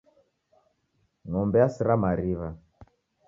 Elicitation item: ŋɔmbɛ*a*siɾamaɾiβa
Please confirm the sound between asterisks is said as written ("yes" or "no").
yes